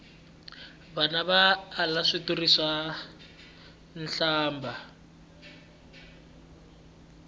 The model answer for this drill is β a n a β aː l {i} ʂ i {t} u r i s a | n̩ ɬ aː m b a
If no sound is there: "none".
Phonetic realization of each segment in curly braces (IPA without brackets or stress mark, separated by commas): a, t